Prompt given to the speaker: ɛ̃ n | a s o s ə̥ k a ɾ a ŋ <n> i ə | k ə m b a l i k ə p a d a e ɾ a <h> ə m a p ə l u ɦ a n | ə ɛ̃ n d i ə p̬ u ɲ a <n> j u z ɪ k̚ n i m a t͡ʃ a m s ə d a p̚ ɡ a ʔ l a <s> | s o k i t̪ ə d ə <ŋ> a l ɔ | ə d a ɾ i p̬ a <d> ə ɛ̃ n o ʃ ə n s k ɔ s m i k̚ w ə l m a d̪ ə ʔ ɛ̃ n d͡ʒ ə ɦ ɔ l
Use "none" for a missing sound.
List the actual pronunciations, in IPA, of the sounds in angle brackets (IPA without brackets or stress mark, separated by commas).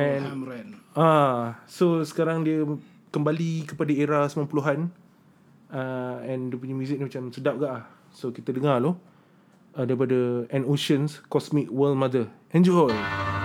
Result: d, s, m, h, ŋ, d